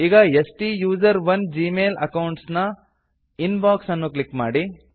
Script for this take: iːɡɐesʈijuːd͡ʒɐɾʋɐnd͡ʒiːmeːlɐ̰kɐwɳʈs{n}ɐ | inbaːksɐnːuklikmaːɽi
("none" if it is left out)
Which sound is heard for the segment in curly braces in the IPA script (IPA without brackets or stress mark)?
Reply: n